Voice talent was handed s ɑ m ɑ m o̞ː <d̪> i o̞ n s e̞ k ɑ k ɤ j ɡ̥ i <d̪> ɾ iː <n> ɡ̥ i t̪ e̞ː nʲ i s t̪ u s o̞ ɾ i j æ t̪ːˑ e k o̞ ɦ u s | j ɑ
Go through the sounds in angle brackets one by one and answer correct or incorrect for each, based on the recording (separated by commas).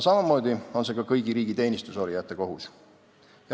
correct, incorrect, incorrect